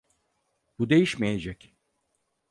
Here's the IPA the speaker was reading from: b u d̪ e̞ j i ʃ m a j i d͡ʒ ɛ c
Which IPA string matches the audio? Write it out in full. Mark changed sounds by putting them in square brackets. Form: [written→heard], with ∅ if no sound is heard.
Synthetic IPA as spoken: b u d̪ e̞ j i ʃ m [a→e] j [i→e] d͡ʒ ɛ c